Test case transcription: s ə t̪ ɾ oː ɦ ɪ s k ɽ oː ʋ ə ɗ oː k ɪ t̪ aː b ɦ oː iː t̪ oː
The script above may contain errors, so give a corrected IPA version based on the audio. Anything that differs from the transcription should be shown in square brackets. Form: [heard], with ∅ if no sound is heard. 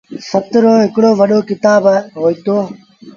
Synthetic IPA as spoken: s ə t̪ ɾ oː ɦ ɪ [∅] k ɽ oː ʋ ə ɗ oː k ɪ t̪ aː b ɦ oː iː t̪ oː

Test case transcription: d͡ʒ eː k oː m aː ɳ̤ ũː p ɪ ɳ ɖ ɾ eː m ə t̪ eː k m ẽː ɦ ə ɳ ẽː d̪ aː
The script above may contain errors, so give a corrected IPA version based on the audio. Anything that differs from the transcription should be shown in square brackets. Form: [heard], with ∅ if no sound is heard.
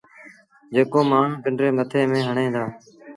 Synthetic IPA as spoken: d͡ʒ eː k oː m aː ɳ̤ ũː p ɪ ɳ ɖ ɾ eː m ə [t̪ʰ] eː [∅] m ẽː ɦ ə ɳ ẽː d̪ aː

